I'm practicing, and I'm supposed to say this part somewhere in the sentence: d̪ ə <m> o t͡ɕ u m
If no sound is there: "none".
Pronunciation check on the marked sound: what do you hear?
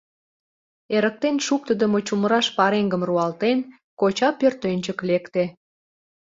m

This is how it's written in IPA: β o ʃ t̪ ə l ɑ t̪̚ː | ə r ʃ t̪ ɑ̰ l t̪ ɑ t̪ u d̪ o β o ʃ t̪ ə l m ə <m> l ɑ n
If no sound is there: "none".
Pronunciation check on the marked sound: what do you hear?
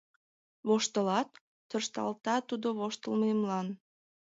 m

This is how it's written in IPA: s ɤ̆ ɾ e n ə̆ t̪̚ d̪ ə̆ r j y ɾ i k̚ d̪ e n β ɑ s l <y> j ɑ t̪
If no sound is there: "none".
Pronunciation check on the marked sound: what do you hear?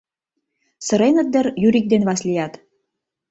i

